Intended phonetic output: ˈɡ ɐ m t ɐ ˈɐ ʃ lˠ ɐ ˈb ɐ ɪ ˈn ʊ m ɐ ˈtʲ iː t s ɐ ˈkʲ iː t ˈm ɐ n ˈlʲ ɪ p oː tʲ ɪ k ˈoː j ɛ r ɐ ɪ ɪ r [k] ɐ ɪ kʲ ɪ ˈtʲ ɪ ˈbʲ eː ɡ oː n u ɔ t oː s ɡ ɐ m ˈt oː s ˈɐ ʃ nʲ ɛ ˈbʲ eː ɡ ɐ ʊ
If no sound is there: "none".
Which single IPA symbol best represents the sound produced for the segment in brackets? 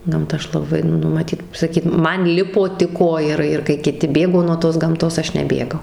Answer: k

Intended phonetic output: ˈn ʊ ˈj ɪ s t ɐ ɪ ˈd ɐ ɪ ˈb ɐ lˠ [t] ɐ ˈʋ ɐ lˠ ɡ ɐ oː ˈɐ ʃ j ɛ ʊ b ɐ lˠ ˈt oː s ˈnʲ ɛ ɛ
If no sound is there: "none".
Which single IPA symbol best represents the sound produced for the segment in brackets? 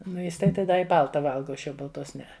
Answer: t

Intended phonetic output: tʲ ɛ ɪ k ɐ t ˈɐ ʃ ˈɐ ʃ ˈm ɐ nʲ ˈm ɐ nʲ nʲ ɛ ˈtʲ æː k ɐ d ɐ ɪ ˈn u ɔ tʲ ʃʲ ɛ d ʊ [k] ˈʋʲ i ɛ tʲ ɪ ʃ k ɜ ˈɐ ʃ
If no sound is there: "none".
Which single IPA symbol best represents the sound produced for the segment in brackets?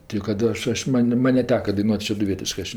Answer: none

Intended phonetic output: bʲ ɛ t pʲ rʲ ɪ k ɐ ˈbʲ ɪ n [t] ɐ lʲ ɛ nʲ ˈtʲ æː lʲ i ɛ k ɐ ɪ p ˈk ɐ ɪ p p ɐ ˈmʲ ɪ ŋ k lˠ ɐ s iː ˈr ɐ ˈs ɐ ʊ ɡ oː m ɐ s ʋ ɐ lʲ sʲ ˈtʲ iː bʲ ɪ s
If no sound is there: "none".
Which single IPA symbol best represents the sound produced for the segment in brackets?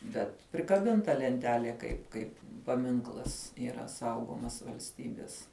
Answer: t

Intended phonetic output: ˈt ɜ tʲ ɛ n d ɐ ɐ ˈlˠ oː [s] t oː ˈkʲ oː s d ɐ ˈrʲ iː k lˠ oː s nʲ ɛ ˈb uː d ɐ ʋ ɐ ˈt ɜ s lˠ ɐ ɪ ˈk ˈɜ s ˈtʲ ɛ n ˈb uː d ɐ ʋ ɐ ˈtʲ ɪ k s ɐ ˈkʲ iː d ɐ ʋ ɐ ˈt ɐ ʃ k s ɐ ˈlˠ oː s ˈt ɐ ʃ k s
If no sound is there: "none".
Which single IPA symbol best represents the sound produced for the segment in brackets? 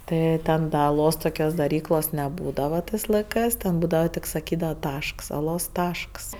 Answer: s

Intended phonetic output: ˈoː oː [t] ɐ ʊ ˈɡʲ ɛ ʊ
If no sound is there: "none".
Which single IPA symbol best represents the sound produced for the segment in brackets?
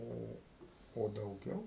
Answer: d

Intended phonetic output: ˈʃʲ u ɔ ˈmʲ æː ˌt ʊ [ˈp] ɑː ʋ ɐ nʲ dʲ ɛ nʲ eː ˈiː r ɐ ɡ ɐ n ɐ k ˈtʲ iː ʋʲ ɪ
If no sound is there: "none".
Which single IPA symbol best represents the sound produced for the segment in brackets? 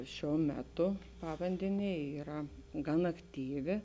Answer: p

